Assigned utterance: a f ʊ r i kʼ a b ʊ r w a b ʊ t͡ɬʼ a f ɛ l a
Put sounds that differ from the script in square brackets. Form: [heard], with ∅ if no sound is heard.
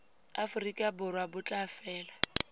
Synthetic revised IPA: a f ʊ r i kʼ a b ʊ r w a b ʊ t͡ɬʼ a f [ɛː] l a